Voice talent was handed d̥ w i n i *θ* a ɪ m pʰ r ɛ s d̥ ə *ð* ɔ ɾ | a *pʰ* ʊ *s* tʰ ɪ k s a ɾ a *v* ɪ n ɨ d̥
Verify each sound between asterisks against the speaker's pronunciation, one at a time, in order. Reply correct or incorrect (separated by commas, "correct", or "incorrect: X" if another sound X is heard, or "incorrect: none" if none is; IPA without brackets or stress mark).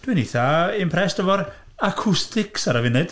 correct, incorrect: v, incorrect: kʰ, correct, correct